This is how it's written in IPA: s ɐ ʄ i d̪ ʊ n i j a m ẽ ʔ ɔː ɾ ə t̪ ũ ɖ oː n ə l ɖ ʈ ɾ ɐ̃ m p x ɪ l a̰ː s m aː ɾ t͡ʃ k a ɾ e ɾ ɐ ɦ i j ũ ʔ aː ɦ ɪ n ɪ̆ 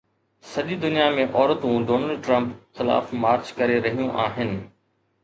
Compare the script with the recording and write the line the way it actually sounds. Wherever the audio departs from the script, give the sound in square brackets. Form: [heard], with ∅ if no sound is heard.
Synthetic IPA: s ɐ ʄ i d̪ ʊ n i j a m ẽ ʔ ɔː ɾ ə t̪ ũ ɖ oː n ə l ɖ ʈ ɾ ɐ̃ m p x ɪ l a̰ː [f] m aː ɾ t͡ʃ k [ɐ] ɾ e ɾ ɐ ɦ i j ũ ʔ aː ɦ ɪ n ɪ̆